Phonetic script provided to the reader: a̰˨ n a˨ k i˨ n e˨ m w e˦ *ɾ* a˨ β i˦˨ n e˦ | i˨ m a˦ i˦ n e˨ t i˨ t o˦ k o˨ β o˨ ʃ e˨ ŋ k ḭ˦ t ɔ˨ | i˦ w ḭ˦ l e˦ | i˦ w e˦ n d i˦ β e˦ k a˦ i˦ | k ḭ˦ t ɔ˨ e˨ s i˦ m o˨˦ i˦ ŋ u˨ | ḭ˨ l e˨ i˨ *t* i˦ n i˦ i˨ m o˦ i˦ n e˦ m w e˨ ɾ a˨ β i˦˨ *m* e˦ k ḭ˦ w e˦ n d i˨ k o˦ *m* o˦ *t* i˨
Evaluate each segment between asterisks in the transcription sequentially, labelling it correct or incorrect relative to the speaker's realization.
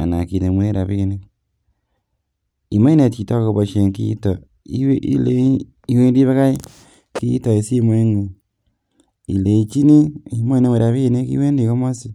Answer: correct, incorrect: t͡ʃ, incorrect: n, correct, incorrect: s

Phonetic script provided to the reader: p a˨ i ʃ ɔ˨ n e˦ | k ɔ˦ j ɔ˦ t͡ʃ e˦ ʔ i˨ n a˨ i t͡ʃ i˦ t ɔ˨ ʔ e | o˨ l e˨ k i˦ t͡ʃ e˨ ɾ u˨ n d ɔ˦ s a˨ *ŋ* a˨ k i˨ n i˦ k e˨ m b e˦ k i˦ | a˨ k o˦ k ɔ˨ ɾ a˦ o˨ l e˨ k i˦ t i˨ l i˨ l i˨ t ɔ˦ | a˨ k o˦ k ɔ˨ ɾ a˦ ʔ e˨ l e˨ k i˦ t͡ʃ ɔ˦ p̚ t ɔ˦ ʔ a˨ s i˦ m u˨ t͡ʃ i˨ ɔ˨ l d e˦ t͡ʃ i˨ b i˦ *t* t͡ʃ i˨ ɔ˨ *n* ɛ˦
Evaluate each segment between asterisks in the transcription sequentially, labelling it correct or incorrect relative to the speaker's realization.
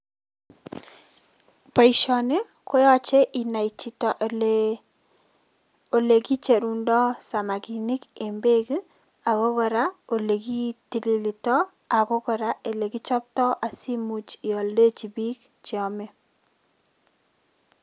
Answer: incorrect: m, incorrect: k, incorrect: m

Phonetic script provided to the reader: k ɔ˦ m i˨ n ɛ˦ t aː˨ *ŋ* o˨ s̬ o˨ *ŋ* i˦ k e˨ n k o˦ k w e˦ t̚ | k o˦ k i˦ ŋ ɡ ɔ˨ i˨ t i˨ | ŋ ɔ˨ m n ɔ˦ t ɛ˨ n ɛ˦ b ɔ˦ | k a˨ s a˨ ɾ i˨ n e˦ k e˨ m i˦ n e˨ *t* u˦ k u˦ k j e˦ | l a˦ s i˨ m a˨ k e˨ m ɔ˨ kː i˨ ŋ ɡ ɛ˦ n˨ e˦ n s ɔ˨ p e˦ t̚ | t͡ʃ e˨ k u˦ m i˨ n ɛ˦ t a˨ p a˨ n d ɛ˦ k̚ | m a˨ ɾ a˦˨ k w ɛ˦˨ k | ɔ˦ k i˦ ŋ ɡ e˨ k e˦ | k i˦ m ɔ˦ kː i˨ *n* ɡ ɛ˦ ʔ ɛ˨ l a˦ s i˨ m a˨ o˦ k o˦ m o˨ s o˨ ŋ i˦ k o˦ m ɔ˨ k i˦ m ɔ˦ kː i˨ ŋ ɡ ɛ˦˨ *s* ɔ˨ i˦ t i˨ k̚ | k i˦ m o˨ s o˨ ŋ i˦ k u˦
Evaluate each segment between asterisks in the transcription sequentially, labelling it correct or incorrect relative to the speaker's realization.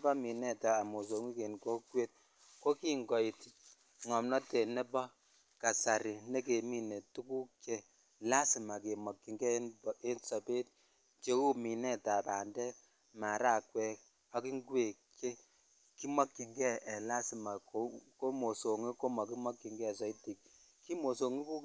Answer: incorrect: m, correct, correct, incorrect: ŋ, correct

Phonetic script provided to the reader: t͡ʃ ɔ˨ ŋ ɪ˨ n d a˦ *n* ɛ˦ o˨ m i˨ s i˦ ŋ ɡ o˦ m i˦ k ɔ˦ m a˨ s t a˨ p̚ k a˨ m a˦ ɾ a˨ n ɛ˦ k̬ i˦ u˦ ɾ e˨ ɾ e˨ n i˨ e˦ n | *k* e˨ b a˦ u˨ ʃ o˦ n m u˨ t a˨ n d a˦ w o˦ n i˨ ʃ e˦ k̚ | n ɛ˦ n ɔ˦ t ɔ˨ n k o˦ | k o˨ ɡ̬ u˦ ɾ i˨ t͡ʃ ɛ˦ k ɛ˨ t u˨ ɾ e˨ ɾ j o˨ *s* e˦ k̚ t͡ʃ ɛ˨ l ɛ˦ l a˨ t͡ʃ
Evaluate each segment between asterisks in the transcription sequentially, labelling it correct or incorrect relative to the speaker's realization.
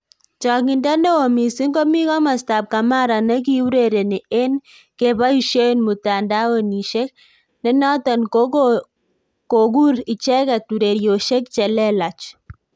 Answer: correct, correct, incorrect: ʃ

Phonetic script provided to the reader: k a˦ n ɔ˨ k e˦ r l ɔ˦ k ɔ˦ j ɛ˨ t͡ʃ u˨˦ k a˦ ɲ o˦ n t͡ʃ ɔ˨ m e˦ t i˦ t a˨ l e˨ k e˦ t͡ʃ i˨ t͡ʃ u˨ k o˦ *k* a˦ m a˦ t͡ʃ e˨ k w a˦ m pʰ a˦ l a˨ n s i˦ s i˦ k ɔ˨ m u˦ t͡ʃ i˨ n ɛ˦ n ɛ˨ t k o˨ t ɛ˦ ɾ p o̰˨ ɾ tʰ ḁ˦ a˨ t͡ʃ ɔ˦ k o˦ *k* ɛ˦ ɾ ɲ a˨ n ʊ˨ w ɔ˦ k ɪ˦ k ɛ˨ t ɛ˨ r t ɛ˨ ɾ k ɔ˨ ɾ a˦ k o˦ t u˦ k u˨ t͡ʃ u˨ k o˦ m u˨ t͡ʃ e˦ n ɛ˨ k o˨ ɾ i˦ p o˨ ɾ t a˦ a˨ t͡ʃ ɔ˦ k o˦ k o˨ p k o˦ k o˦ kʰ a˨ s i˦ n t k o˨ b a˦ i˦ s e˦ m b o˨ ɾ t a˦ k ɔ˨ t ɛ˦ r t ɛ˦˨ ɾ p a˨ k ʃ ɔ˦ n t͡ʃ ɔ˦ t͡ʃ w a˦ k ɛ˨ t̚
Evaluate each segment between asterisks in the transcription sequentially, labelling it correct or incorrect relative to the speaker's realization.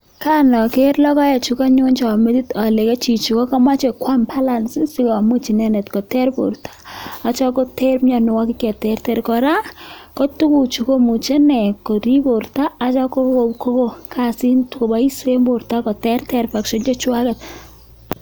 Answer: correct, incorrect: t

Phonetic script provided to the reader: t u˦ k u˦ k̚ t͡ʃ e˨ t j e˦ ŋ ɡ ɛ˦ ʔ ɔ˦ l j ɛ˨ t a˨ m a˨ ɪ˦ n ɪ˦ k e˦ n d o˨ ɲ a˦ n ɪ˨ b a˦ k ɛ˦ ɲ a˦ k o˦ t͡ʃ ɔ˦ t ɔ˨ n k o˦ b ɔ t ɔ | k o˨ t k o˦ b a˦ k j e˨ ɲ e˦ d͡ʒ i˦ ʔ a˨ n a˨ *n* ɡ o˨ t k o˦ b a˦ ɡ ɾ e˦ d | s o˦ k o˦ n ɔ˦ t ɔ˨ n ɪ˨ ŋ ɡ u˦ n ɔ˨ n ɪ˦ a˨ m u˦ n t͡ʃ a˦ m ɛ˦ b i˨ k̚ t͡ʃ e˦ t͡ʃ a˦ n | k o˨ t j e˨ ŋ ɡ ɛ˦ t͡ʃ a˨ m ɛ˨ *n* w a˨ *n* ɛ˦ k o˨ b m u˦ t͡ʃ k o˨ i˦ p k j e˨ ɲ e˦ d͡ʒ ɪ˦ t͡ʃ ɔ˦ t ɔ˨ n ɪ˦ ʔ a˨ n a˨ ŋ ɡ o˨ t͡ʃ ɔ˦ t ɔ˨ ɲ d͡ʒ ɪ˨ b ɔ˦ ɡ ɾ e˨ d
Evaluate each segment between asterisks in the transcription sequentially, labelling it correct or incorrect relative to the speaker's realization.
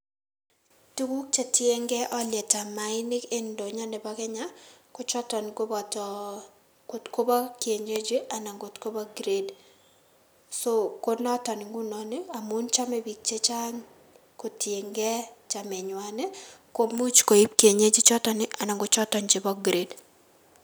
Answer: incorrect: ŋ, incorrect: ɲ, correct

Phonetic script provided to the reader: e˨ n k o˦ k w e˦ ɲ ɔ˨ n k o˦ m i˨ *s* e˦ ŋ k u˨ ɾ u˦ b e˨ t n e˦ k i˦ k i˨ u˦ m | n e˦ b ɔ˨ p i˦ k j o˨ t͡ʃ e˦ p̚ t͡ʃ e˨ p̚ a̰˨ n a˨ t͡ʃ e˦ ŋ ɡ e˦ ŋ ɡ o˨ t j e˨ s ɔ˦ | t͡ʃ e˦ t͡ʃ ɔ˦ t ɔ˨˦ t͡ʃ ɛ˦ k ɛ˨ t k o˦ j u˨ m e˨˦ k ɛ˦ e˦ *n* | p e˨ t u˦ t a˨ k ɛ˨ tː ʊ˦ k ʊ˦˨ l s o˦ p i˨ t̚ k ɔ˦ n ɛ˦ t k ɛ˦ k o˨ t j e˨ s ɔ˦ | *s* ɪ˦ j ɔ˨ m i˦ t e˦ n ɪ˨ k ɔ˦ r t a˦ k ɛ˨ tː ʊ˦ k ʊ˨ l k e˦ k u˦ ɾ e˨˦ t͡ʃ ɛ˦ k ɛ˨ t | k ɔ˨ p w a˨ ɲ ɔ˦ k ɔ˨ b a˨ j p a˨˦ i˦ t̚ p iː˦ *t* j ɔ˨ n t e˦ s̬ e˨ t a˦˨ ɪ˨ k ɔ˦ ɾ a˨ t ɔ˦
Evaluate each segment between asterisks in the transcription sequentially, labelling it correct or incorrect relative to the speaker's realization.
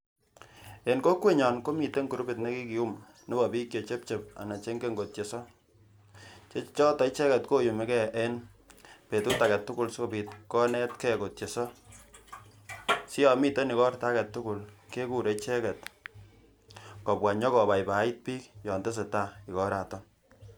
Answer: incorrect: t, correct, correct, incorrect: k

